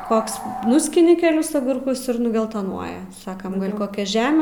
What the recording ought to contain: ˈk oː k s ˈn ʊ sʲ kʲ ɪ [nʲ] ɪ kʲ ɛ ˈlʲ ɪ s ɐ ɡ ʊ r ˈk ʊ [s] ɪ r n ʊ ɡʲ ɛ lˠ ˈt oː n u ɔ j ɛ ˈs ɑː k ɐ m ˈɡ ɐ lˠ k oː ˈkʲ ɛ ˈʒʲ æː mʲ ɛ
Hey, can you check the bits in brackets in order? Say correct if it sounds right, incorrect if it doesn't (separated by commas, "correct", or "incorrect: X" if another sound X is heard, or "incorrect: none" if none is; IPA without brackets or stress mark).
correct, correct